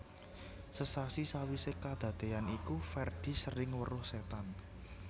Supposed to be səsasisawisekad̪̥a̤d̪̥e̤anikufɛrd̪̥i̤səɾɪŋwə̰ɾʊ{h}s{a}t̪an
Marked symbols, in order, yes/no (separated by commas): yes, no